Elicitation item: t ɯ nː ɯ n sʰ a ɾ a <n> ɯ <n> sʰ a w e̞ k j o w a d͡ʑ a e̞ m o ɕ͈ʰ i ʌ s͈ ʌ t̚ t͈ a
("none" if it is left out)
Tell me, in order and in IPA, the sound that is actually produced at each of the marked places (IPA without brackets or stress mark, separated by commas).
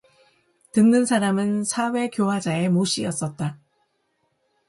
m, n